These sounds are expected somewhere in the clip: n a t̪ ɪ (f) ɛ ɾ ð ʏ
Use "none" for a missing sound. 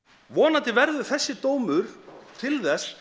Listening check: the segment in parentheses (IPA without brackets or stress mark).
v